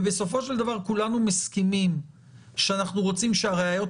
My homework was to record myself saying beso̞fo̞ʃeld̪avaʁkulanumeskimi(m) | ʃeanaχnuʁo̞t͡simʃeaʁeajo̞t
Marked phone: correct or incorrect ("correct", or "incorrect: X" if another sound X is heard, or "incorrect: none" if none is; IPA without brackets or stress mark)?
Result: correct